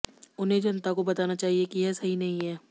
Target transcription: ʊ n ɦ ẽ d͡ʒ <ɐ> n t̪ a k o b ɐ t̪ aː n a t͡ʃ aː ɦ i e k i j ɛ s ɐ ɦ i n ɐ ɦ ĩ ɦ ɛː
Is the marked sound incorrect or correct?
correct